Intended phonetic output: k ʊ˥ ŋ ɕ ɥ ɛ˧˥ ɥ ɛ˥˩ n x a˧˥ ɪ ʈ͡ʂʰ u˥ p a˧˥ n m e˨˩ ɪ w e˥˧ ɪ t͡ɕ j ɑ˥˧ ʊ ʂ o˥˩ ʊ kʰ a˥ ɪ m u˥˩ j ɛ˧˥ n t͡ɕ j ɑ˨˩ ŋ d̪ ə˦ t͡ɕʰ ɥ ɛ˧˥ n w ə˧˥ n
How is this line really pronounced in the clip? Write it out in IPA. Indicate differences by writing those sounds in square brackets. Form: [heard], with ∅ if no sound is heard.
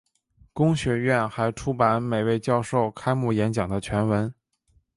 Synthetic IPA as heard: k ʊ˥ ŋ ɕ ɥ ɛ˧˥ ɥ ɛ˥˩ n x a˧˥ ɪ ʈ͡ʂʰ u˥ p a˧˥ n m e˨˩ ɪ w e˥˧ ɪ t͡ɕ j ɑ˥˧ ʊ ʂ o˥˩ ʊ kʰ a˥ ɪ m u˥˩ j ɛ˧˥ n t͡ɕ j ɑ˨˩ ŋ d̪ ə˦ t͡ɕʰ ɥ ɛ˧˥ n w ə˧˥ n